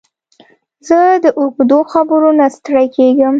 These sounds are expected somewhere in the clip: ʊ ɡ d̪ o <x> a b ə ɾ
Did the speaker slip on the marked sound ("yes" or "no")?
no